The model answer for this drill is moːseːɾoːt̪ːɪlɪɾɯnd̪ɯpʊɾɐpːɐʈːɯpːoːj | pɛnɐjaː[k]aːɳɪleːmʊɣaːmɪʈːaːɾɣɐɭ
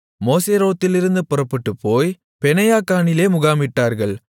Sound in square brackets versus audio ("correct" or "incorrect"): correct